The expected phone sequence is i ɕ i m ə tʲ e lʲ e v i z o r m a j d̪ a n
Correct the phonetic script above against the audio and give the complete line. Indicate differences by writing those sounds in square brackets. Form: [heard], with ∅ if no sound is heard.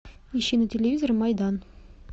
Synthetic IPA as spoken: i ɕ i [n] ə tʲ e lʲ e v i z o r m [ɑ] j d̪ [ɑ] n